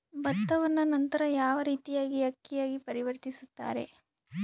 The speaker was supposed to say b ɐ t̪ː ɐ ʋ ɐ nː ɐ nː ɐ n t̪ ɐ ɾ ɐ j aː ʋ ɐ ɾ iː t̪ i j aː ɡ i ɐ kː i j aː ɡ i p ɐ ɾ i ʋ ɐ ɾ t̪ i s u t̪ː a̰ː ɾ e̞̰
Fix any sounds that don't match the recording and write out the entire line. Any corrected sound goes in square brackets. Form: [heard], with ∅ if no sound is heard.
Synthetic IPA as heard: b ɐ t̪ː ɐ ʋ ɐ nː ɐ [n] ɐ n t̪ ɐ ɾ ɐ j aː ʋ ɐ ɾ iː t̪ i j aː ɡ i ɐ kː i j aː ɡ i p ɐ ɾ i ʋ ɐ ɾ t̪ i s u t̪ː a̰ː ɾ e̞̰